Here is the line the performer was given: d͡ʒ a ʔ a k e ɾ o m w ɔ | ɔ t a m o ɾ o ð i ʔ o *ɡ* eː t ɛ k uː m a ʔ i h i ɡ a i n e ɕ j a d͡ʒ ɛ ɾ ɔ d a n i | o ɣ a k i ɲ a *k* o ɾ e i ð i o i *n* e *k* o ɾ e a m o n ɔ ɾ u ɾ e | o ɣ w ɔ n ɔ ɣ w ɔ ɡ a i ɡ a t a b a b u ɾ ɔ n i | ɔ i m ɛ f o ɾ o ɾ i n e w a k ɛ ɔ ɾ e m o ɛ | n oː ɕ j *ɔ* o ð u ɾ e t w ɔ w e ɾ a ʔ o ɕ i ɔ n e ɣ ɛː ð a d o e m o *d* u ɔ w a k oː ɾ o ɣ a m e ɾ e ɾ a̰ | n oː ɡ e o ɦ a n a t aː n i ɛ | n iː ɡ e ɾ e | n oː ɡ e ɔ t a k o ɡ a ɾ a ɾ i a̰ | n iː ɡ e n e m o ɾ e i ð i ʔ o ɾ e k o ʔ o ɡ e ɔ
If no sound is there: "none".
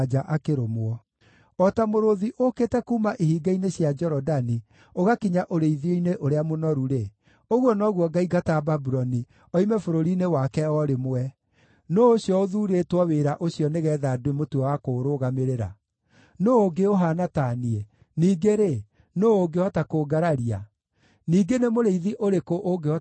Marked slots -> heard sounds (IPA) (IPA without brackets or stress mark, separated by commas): k, ʔ, n, ʔ, ɔ, t